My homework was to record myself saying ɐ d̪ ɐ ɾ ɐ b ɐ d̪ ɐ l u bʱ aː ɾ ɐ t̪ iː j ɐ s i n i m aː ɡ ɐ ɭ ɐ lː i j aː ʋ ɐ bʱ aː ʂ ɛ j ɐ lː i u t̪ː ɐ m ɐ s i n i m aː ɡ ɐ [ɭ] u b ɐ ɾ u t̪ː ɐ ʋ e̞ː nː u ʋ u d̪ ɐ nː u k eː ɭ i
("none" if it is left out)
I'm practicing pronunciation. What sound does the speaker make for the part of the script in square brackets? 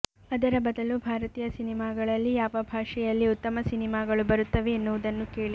ɭ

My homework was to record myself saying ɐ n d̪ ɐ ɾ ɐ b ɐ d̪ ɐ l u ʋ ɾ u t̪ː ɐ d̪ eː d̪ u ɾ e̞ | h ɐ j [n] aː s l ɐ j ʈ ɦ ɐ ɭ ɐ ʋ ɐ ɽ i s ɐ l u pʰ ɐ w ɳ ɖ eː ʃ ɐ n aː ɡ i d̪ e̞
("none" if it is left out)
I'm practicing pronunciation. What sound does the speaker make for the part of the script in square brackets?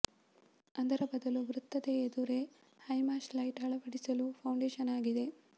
m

